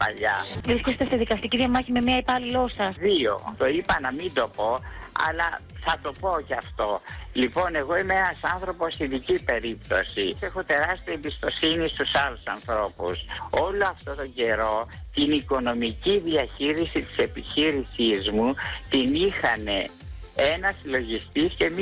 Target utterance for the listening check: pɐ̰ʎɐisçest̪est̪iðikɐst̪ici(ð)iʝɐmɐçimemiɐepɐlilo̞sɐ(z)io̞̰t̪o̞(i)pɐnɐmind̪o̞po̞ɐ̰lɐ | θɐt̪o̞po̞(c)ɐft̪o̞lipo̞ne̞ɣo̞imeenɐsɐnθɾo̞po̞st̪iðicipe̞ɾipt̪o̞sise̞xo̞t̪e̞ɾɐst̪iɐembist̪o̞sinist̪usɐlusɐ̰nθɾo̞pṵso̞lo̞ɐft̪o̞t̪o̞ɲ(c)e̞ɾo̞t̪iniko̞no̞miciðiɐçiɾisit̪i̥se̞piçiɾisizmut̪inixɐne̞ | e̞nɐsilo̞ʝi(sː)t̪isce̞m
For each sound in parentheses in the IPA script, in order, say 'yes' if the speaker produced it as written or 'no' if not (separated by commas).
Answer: yes, no, yes, yes, no, no